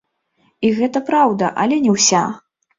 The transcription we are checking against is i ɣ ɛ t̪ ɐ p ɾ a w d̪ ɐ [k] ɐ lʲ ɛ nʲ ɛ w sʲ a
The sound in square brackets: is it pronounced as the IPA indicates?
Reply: no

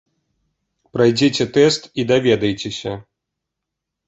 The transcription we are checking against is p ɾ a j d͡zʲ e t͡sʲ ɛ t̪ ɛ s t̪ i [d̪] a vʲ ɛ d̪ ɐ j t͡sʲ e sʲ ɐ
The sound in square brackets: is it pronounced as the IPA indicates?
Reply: yes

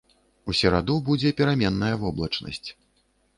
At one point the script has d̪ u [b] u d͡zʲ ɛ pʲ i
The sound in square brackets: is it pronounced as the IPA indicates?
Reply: yes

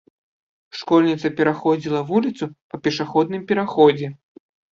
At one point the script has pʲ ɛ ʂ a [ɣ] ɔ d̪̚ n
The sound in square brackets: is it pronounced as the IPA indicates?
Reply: no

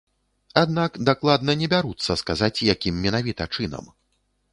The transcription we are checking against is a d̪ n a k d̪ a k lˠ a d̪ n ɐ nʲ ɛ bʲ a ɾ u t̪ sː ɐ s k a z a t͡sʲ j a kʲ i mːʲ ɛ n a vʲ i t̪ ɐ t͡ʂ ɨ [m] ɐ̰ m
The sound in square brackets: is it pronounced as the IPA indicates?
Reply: no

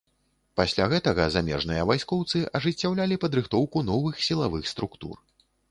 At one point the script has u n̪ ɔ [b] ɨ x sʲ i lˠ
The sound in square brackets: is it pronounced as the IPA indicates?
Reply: no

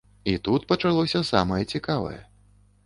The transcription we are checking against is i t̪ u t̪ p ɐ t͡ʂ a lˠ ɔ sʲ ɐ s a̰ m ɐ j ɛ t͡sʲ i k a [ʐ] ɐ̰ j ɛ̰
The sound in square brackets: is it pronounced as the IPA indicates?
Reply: no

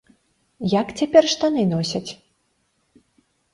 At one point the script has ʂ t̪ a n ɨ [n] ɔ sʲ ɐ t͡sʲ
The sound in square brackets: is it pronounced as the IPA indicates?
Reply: yes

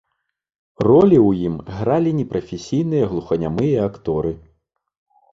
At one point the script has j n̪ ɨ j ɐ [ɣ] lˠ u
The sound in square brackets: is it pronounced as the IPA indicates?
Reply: yes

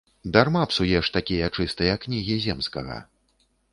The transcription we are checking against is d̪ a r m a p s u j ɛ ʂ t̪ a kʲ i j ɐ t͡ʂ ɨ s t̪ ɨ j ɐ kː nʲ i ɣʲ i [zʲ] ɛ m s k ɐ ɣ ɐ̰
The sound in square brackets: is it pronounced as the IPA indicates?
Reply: yes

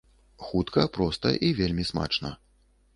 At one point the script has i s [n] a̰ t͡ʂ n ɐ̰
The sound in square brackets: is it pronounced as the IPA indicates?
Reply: no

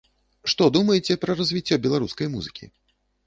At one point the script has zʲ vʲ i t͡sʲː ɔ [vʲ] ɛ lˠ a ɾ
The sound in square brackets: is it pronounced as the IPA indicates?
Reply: no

